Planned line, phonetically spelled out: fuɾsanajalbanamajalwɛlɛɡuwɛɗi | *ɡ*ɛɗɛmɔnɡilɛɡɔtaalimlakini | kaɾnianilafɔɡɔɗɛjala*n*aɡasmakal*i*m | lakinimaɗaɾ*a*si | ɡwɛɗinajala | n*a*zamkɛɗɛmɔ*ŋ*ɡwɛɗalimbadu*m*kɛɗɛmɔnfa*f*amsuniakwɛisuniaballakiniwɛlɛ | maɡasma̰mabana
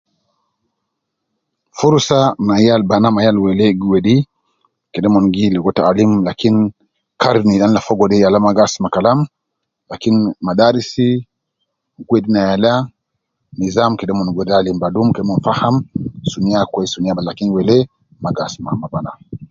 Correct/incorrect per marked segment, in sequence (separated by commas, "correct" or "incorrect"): incorrect, incorrect, incorrect, incorrect, incorrect, incorrect, correct, incorrect